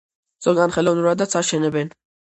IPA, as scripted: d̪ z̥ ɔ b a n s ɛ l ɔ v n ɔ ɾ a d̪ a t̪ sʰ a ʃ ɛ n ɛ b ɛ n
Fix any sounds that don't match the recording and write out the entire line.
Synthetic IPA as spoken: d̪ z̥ ɔ ɡ a n χ ɛ l ɔ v n u ɾ a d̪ a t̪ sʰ a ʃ ɛ n ɛ b ɛ n